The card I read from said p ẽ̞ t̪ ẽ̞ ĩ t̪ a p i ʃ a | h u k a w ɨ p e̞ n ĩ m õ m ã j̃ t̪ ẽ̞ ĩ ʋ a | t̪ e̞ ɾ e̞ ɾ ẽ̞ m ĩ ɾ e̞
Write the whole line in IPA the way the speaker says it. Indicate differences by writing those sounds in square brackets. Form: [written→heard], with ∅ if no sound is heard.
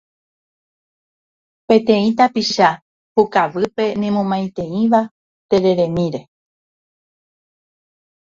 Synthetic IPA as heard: p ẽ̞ t̪ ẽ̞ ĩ t̪ a p i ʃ a | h u k a [w→ʋ] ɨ p e̞ n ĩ m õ m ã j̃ t̪ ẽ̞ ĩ ʋ a | t̪ e̞ ɾ e̞ ɾ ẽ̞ m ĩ ɾ e̞